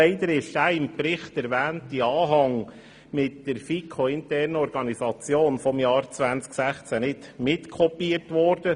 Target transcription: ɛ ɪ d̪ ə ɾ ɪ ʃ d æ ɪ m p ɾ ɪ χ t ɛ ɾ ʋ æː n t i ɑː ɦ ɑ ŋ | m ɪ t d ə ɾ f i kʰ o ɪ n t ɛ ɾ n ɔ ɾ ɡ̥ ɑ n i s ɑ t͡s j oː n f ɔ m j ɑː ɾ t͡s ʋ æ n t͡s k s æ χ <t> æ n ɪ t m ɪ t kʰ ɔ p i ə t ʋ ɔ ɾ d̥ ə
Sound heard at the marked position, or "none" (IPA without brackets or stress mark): t͡s